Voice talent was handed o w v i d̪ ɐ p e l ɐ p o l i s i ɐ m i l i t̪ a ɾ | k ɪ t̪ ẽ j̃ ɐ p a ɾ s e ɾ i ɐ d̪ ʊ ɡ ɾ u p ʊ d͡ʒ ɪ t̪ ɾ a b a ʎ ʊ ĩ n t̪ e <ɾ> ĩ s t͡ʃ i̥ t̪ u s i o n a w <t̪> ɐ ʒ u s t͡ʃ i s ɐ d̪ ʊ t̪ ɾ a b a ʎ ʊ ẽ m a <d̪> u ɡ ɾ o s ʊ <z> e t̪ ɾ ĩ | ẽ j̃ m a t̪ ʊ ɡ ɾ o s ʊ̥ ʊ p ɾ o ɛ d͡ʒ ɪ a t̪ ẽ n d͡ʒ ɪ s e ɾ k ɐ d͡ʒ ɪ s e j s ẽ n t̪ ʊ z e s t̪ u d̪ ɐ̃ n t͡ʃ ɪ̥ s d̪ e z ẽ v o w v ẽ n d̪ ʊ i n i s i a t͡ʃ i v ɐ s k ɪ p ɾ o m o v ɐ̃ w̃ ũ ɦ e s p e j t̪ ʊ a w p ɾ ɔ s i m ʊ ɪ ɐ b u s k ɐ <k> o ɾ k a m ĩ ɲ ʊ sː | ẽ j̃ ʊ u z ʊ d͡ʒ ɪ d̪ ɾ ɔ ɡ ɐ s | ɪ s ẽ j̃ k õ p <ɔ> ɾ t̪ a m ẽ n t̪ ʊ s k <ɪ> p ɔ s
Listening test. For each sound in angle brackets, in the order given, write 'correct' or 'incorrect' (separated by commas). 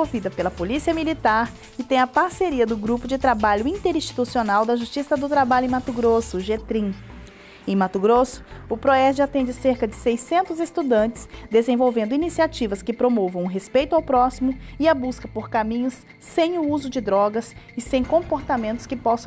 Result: correct, incorrect, incorrect, incorrect, incorrect, incorrect, correct